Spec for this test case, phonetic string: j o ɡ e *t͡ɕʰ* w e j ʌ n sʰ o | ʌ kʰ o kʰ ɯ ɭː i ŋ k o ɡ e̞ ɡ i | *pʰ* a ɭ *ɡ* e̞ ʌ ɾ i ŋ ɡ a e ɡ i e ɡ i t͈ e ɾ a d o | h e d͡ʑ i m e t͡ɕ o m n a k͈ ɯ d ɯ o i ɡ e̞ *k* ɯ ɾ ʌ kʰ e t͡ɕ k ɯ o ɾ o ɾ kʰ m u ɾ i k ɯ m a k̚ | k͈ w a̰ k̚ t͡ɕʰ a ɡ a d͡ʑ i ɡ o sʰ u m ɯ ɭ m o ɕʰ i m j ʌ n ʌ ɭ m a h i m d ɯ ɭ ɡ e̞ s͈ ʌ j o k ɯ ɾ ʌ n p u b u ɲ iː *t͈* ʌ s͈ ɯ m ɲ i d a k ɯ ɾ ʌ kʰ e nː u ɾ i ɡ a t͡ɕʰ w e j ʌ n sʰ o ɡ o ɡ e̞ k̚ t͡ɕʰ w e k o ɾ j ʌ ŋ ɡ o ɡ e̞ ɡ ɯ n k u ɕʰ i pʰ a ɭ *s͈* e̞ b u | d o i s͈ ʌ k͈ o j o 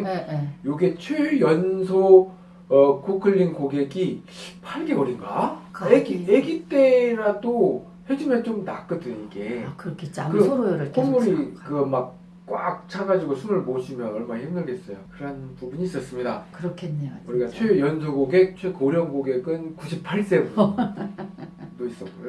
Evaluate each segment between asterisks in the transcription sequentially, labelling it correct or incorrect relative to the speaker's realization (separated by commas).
correct, correct, correct, correct, incorrect, correct